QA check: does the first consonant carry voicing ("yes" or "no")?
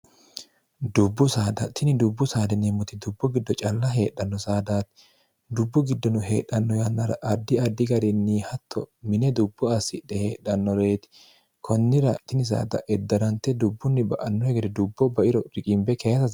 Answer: yes